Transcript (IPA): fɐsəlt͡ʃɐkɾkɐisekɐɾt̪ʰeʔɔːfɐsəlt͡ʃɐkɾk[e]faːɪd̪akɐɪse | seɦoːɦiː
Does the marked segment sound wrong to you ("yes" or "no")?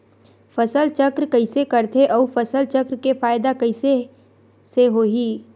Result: no